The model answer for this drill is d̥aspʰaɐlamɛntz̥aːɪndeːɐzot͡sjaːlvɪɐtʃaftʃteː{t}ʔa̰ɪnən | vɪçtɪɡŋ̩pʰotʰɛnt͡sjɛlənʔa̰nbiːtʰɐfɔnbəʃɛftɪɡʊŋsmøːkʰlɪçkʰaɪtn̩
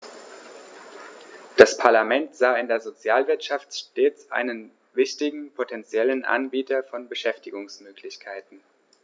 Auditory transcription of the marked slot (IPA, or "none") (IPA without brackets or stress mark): t͡s